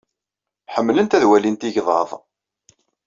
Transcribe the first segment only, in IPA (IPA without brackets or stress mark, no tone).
ħ